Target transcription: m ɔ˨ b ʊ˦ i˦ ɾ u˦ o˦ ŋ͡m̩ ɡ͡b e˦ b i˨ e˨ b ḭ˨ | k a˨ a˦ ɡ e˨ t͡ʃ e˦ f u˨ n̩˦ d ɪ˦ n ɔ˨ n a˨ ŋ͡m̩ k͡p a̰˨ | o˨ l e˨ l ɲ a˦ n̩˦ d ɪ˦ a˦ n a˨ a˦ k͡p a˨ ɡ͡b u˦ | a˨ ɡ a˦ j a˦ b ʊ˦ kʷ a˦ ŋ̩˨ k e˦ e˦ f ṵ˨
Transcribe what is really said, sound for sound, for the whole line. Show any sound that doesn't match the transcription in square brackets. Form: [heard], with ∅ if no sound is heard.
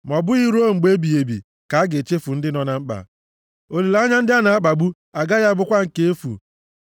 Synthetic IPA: m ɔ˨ b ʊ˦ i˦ ɾ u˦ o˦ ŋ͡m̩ ɡ͡b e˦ b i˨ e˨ b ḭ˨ | k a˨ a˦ ɡ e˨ t͡ʃ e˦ f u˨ n̩˦ d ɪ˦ n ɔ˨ n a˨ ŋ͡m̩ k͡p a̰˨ | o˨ l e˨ l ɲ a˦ n̩˦ d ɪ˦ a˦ n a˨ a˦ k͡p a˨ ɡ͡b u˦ | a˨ ɡ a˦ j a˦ b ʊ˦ kʷ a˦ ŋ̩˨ k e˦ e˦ f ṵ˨